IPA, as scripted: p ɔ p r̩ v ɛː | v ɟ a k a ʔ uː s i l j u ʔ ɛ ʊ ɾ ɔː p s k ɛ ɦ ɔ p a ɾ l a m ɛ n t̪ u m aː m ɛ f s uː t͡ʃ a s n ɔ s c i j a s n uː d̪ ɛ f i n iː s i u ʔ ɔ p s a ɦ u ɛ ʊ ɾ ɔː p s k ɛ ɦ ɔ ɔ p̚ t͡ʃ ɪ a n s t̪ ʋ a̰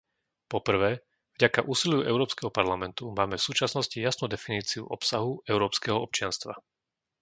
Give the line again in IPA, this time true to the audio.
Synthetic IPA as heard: p ɔ p r̩ ʋ ɛː | v ɟ a k a ʔ uː s i l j u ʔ ɛ ʊ ɾ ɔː p s k ɛ ɦ ɔ p a ɾ l a m ɛ n t̪ u m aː m ɛ f s uː t͡ʃ a s n ɔ s c i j a s n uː d̪ ɛ f i n iː t͡s i u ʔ ɔ p s a ɦ u ɛ ʊ ɾ ɔː p s k ɛ ɦ ɔ ɔ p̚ t͡ʃ ɪ a n s t̪ ʋ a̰